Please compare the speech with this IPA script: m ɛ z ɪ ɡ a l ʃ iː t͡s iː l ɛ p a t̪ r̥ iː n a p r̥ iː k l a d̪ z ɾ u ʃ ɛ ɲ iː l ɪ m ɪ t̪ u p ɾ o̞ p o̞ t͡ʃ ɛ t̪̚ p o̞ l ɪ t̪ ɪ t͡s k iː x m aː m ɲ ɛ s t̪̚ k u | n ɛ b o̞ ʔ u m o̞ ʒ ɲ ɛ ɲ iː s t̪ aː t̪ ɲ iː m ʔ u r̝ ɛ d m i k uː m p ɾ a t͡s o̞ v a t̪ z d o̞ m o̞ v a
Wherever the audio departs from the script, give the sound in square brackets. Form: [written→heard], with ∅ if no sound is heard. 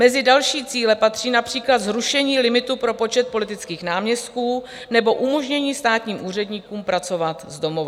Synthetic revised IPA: m ɛ z ɪ [ɡ→d] a l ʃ iː t͡s iː l ɛ p a t̪ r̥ iː n a p r̥ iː k l a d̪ z ɾ u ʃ ɛ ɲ iː l ɪ m ɪ t̪ u p ɾ o̞ p o̞ t͡ʃ ɛ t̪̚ p o̞ l ɪ t̪ ɪ t͡s k iː x [m→n] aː m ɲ ɛ s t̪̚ k [u→uː] | n ɛ b o̞ ʔ u m o̞ ʒ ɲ ɛ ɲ iː s t̪ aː t̪ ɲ iː m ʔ [u→uː] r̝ ɛ d [m→ɲ] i k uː m p ɾ a t͡s o̞ v a t̪ z d o̞ m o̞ v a